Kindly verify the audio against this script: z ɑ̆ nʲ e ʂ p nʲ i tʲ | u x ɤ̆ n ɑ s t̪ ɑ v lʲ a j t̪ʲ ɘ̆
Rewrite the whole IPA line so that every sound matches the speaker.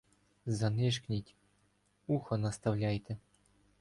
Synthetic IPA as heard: z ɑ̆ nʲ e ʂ k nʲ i tʲ | u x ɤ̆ n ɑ s t̪ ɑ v lʲ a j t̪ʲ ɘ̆